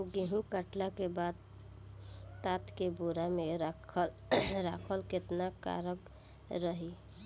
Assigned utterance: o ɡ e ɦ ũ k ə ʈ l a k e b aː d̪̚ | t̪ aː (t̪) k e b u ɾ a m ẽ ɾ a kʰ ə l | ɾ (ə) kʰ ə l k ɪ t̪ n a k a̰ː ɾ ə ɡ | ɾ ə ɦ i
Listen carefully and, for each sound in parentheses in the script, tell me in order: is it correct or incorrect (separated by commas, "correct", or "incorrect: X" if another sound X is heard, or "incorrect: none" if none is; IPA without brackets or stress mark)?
correct, incorrect: a